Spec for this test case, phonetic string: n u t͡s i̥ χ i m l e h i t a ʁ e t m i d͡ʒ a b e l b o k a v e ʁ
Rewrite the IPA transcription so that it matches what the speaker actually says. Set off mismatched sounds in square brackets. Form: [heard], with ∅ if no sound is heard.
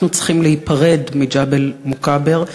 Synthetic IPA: n u t͡s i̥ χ i m l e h i [p] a ʁ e [d] m i d͡ʒ a b e l [m] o k a [b] e ʁ